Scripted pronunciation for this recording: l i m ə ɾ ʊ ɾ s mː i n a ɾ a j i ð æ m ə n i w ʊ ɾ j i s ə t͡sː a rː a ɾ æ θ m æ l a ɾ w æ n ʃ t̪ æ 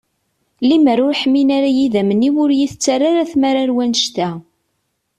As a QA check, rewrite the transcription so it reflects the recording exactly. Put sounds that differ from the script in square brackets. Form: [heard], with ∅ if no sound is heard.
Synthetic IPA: l i m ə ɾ ʊ ɾ [ħ] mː i n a ɾ a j i ð æ m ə n i w ʊ ɾ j i [θ] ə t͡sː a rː a ɾ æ θ m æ [ɾ] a ɾ w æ n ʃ t̪ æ